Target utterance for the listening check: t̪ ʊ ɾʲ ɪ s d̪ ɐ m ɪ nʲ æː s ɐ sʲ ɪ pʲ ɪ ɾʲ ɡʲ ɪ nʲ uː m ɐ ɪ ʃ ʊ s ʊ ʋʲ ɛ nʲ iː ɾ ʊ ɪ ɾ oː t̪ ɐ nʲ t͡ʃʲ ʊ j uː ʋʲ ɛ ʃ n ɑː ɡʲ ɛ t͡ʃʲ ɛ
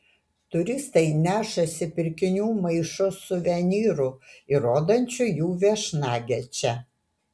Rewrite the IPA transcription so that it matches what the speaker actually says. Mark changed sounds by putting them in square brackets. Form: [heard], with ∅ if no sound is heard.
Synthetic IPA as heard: t̪ ʊ ɾʲ ɪ s [t̪] ɐ [∅] ɪ nʲ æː [ʃ] ɐ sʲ ɪ pʲ ɪ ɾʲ [kʲ] ɪ nʲ uː m ɐ ɪ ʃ ʊ s ʊ ʋʲ ɛ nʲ iː ɾ ʊ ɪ ɾ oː [d̪] ɐ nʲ t͡ʃʲ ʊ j uː ʋʲ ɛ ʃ n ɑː ɡʲ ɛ t͡ʃʲ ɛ